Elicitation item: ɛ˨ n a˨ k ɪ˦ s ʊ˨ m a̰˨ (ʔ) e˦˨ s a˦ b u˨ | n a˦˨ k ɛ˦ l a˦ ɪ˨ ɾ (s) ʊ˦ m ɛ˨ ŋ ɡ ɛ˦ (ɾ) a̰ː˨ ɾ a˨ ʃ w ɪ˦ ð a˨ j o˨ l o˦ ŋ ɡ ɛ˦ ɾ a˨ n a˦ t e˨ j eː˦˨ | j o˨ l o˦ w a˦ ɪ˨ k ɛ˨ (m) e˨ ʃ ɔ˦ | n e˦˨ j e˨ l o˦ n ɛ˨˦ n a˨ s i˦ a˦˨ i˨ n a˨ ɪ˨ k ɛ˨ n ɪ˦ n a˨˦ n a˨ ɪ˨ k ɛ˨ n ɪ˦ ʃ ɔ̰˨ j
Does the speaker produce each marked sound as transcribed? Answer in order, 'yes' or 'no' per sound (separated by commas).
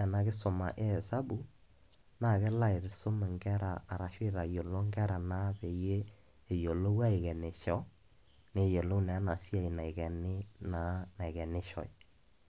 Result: yes, yes, yes, no